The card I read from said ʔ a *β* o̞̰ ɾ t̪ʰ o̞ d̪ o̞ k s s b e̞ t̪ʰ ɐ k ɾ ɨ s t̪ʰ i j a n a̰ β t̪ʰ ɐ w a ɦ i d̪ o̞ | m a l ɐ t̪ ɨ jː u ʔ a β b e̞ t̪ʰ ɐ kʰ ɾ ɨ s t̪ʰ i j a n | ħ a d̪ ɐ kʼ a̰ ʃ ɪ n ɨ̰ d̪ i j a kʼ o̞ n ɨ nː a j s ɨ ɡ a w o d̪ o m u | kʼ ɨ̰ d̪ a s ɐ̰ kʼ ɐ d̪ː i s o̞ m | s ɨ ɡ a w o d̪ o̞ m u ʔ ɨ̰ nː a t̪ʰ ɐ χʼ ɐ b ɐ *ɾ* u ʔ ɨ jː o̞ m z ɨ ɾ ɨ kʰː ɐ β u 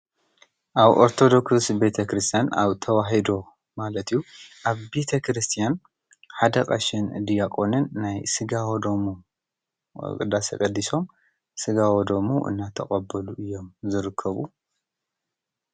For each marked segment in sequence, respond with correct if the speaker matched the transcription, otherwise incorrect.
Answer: correct, incorrect: l

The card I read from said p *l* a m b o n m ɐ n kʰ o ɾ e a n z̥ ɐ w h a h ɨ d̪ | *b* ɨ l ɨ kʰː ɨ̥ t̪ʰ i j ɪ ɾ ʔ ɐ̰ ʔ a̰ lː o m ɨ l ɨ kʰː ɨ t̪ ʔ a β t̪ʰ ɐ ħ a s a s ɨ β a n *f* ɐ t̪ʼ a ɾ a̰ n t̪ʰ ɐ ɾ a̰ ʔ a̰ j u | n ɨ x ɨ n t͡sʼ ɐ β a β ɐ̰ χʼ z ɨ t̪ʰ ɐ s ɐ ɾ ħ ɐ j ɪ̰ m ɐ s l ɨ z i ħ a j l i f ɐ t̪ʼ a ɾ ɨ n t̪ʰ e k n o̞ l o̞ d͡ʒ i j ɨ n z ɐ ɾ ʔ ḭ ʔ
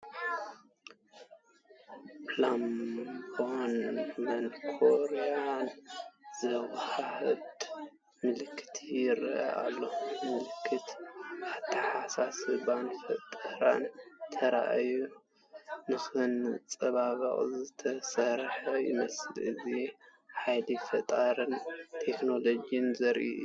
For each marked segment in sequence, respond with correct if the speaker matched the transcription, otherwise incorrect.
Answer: correct, incorrect: m, correct

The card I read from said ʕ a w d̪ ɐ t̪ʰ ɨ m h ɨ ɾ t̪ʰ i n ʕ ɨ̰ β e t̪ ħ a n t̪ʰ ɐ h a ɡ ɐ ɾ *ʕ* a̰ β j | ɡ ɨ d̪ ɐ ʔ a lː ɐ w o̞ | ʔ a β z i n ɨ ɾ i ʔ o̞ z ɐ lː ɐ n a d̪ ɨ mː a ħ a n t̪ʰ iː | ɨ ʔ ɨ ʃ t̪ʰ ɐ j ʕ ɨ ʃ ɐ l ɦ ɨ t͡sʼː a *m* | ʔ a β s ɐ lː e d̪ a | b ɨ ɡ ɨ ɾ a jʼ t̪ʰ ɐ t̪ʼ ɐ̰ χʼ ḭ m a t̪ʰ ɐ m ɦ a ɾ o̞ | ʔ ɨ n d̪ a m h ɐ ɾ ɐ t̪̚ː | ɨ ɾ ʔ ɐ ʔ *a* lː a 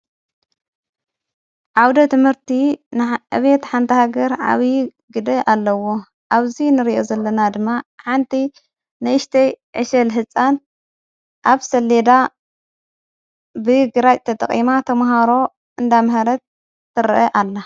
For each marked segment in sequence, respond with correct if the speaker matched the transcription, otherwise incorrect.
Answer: correct, incorrect: n, correct

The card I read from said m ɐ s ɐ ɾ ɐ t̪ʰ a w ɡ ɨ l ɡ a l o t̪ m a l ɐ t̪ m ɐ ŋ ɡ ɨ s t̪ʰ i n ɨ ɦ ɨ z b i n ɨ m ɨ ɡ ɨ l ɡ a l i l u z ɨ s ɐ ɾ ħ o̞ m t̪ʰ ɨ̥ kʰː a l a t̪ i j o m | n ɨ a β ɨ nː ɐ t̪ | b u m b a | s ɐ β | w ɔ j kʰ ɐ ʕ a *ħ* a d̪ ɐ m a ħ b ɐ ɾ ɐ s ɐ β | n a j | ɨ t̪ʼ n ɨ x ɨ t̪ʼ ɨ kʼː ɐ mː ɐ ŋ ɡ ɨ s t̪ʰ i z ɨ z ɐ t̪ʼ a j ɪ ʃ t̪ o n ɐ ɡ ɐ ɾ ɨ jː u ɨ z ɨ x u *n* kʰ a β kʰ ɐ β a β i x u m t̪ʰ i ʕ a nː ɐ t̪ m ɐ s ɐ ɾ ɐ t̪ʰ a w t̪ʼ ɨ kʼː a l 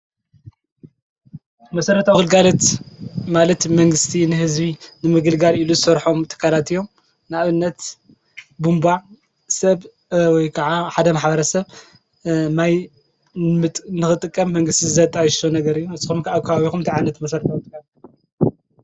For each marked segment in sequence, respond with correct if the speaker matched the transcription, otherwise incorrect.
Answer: correct, incorrect: m

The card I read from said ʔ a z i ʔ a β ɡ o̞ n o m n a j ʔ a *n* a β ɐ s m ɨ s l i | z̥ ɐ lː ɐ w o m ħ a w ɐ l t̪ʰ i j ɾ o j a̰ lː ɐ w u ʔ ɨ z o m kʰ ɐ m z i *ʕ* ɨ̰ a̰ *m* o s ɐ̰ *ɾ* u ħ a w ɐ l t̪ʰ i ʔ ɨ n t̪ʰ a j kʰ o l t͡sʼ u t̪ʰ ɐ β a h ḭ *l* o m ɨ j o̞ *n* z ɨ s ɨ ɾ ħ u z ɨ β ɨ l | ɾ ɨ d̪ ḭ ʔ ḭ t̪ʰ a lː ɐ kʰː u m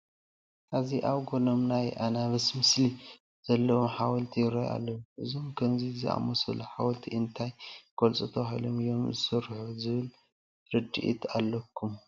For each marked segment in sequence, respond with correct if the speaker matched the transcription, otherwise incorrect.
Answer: correct, incorrect: z, correct, incorrect: l, correct, incorrect: m

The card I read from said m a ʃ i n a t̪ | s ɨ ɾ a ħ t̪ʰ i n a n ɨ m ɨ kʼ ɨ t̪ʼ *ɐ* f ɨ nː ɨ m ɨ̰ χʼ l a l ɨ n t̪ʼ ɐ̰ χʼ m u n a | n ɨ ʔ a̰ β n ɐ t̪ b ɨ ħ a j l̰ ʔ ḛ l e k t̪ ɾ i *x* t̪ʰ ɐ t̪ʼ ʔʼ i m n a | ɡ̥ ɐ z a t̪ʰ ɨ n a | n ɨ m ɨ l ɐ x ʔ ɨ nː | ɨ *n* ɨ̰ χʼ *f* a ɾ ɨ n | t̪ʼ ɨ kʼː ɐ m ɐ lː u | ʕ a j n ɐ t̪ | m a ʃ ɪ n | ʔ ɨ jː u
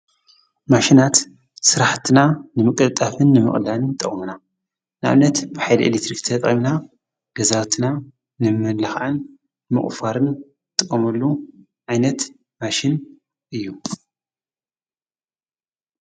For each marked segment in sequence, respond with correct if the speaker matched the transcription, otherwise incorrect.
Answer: incorrect: a, incorrect: k, incorrect: m, correct

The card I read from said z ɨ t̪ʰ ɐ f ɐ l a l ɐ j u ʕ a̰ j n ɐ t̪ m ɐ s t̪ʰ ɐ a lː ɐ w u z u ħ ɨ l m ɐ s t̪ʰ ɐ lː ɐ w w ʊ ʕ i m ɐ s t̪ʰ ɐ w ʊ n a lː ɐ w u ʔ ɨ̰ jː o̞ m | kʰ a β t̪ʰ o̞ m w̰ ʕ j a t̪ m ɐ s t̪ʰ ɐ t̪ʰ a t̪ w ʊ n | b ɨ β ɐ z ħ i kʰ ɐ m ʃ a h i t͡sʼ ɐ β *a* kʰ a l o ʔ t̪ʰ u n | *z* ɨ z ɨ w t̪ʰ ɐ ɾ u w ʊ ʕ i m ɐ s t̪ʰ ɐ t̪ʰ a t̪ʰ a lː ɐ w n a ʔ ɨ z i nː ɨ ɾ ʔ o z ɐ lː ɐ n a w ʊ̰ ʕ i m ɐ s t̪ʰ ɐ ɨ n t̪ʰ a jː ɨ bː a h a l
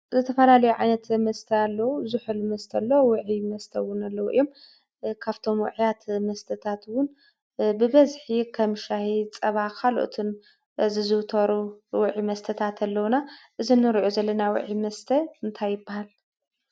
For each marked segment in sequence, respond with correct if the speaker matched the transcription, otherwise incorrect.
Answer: correct, correct

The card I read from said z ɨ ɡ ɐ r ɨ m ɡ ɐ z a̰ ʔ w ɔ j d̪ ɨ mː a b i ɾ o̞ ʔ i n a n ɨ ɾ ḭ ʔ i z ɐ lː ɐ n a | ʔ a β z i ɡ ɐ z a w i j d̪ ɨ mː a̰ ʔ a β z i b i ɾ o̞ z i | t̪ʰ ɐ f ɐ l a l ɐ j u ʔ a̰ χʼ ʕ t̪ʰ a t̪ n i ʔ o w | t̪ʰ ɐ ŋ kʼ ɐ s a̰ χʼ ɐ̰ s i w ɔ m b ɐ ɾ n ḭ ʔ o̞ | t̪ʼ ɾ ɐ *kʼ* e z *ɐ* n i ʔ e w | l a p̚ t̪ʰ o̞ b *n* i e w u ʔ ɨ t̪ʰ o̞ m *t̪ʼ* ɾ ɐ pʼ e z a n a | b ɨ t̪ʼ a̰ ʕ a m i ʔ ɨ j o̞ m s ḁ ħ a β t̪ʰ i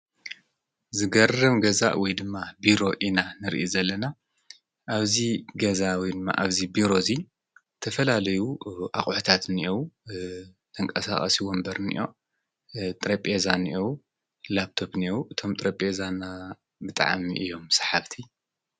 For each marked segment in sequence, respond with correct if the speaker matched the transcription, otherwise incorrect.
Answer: incorrect: pʼ, incorrect: a, correct, correct

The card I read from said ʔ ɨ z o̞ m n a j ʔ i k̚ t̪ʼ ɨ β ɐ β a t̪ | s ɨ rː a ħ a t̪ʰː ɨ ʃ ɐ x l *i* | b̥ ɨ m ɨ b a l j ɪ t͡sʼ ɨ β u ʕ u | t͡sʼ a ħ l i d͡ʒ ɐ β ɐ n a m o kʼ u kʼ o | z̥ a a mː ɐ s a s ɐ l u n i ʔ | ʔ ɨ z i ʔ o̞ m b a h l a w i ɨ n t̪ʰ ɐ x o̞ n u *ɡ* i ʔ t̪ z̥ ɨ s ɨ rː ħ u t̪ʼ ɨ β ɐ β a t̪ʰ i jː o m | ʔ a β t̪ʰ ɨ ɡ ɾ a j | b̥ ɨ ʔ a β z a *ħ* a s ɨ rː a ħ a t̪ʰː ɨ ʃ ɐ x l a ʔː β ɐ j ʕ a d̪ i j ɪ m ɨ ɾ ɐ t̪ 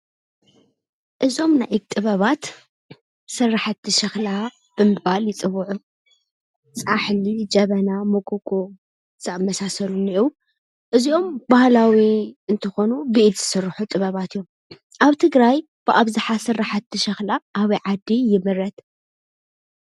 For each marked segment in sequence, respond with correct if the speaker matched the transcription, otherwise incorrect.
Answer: incorrect: a, incorrect: b, correct

